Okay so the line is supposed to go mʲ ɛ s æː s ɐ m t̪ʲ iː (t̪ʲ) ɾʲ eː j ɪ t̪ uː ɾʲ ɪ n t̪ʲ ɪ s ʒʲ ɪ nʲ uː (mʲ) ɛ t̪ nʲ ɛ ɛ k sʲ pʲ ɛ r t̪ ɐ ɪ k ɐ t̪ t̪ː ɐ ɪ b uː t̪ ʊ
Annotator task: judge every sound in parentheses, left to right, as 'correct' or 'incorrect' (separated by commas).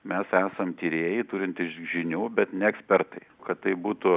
incorrect, incorrect